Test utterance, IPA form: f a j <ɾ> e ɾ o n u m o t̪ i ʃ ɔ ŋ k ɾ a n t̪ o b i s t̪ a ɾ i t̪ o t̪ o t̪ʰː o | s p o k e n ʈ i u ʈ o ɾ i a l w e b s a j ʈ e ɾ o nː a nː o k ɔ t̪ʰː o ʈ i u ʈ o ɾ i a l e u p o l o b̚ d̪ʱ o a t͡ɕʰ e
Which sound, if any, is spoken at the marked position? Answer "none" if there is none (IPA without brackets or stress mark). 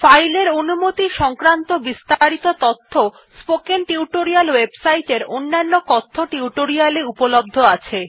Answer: l